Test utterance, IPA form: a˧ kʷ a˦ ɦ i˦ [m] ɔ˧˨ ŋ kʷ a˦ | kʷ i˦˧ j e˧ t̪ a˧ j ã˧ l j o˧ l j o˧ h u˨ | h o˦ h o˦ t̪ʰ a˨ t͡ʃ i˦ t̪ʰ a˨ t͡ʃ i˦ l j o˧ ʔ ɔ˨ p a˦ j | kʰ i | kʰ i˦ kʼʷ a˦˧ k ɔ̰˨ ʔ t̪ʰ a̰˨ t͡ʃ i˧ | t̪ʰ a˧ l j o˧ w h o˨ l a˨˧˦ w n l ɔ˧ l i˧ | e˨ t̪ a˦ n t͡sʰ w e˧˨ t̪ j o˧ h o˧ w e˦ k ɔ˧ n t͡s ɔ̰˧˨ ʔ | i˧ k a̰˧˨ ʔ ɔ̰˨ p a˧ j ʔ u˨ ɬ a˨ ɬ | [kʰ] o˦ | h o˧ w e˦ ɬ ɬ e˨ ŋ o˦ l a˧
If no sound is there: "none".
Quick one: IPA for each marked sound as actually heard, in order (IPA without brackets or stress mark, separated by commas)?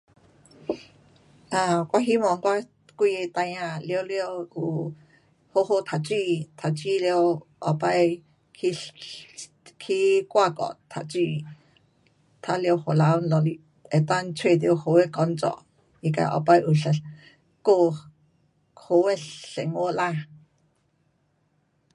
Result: m, k